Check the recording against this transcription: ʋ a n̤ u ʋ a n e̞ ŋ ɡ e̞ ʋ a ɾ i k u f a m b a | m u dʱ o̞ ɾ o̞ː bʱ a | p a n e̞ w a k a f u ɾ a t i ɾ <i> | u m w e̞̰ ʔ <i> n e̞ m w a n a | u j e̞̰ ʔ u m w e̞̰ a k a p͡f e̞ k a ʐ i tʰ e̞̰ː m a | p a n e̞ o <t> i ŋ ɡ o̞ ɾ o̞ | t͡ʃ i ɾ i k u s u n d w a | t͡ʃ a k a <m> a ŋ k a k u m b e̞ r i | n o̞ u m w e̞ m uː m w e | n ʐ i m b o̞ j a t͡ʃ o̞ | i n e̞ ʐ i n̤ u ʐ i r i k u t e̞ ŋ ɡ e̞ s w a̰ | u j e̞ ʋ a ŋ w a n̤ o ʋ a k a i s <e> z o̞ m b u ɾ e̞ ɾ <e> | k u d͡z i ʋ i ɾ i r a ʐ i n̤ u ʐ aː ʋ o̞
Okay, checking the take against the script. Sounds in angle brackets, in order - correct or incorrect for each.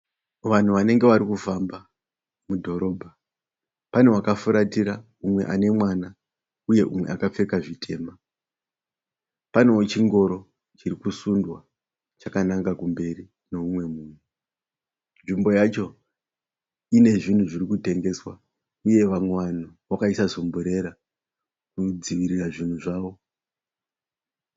incorrect, incorrect, incorrect, incorrect, incorrect, incorrect

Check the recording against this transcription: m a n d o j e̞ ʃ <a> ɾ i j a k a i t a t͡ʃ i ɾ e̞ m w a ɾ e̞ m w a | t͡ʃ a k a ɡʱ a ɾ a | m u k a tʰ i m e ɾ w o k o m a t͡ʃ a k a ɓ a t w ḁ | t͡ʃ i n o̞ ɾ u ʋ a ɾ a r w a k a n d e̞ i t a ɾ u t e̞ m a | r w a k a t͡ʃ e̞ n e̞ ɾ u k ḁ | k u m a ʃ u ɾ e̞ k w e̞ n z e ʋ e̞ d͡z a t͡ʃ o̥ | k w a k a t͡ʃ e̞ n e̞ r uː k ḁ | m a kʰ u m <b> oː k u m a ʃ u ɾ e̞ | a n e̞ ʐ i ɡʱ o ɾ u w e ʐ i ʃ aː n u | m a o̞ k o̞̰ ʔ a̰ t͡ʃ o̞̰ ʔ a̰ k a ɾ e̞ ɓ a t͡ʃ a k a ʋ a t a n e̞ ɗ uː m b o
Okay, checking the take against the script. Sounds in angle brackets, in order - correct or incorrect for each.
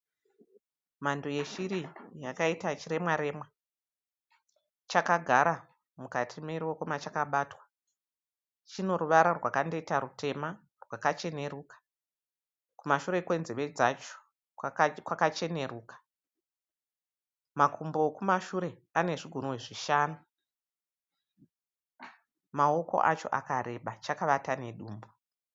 incorrect, correct

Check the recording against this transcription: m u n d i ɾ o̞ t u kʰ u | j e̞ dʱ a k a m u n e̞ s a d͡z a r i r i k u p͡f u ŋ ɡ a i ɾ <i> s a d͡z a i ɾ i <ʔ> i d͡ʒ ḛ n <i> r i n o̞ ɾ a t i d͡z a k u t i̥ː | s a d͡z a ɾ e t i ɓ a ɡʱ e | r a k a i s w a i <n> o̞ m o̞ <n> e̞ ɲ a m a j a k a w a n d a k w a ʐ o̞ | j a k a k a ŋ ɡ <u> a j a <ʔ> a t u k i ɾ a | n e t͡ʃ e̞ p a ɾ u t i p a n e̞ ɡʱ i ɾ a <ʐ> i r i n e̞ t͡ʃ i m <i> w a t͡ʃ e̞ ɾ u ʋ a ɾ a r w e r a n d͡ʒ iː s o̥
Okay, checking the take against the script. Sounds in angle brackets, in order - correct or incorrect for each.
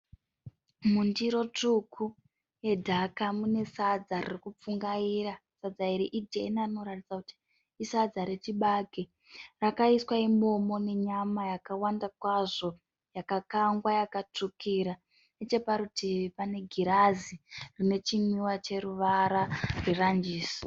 incorrect, correct, incorrect, incorrect, correct, incorrect, incorrect, incorrect, correct

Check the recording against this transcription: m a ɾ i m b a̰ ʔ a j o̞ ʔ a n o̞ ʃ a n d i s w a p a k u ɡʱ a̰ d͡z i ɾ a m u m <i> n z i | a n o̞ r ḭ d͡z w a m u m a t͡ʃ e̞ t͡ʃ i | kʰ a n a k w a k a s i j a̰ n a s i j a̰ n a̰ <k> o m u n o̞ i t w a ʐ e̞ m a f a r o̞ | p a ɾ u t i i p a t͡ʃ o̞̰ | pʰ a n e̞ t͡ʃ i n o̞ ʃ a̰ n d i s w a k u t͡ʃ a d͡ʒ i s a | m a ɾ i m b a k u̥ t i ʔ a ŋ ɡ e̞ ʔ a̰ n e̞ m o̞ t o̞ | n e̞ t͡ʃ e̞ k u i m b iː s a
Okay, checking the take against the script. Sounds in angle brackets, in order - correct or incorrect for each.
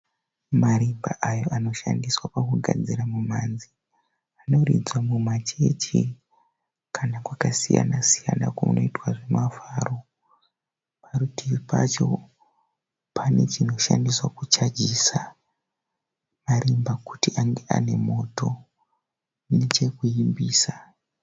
incorrect, correct

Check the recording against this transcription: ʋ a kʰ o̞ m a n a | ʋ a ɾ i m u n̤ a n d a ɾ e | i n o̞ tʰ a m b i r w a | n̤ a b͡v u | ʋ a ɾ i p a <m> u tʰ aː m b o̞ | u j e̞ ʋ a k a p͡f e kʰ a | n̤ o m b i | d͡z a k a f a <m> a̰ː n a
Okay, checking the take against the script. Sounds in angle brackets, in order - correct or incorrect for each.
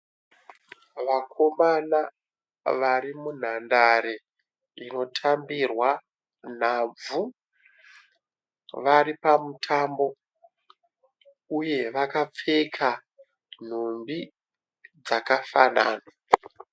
correct, incorrect

